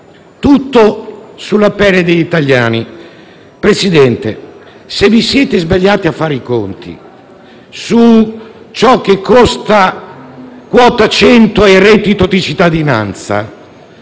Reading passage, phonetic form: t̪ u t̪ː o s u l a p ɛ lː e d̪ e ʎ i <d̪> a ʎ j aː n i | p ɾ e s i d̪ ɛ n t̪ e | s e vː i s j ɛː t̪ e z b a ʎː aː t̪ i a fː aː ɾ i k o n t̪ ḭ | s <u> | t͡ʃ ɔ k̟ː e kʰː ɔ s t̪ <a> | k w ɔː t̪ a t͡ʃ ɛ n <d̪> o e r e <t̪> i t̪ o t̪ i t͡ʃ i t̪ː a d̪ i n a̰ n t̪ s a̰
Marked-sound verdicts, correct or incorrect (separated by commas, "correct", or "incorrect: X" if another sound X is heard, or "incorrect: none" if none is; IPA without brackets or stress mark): incorrect: t̪, correct, correct, incorrect: t̪, correct